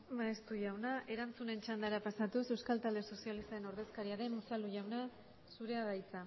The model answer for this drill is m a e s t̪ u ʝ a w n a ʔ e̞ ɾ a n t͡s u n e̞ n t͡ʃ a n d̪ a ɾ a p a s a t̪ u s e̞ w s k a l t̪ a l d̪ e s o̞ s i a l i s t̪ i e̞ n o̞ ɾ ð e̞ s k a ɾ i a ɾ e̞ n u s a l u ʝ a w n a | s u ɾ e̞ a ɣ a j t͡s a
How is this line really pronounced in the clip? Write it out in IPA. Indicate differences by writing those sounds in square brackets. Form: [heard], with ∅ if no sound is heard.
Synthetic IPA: m a e s t̪ u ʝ a w n a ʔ e̞ ɾ a n t͡s u n e̞ n t͡ʃ a n d̪ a ɾ a p a s a t̪ u s e̞ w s k a l t̪ a l d̪ e s o̞ s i a l i s t̪ [a] e̞ n o̞ ɾ ð e̞ s k a ɾ i a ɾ e̞ n u s a l u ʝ a w n a | s u ɾ e̞ a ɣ a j t͡s a